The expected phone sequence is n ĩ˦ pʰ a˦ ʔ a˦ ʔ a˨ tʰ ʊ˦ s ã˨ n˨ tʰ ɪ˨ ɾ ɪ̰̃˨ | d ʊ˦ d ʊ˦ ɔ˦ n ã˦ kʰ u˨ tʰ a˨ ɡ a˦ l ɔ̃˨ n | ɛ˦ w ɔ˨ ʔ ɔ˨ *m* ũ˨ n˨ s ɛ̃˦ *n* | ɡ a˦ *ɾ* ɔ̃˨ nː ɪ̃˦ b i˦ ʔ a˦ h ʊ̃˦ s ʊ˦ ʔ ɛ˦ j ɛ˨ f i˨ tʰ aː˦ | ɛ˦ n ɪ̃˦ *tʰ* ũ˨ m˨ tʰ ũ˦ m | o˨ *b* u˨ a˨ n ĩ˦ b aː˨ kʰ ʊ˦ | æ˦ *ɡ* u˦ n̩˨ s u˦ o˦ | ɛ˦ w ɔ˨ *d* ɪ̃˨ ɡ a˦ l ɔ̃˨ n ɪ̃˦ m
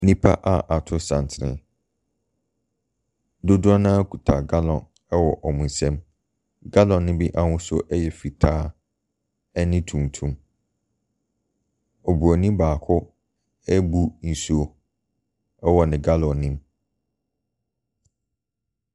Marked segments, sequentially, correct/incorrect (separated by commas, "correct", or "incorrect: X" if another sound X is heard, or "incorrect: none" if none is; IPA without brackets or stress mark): correct, incorrect: m, incorrect: l, correct, correct, incorrect: b, incorrect: n